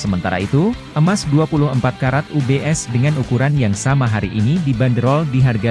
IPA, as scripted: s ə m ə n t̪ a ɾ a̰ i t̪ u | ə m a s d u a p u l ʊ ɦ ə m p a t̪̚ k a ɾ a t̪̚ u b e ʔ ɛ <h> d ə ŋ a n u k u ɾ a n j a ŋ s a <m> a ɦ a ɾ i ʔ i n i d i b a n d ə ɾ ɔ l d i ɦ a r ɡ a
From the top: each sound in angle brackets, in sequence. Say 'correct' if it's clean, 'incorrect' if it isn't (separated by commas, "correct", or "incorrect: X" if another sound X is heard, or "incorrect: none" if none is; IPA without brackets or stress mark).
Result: incorrect: s, correct